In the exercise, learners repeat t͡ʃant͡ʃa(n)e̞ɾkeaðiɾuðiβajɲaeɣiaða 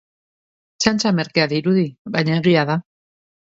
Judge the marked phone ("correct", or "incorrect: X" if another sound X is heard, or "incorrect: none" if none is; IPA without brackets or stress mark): incorrect: m